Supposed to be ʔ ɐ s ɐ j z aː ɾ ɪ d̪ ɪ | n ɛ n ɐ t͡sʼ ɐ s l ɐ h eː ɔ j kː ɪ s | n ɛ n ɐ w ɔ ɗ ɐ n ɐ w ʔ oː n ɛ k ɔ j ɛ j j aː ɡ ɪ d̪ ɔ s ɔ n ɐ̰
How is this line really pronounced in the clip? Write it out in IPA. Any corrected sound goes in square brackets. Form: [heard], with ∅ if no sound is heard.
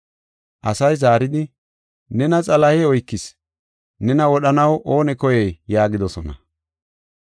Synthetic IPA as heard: ʔ ɐ s ɐ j z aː ɾ ɪ d̪ ɪ | n ɛ n ɐ t͡sʼ ɐ [∅] l ɐ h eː ɔ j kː ɪ s | n ɛ n ɐ w ɔ ɗ ɐ n ɐ w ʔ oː n ɛ k ɔ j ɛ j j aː ɡ ɪ d̪ ɔ s ɔ n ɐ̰